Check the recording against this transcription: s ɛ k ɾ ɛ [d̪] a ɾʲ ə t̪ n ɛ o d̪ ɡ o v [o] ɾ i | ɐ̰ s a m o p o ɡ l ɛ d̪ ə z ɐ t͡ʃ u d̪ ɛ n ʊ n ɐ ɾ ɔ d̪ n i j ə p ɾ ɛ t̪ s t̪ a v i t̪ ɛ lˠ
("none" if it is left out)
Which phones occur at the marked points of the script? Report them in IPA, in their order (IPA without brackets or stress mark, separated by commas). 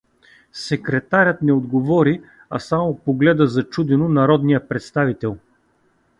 t̪, ɔ